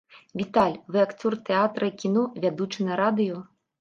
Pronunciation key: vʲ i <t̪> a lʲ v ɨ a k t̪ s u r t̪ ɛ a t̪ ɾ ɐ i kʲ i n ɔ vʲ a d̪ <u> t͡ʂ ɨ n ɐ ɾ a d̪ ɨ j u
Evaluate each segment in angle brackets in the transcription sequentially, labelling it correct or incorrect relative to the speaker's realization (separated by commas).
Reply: correct, correct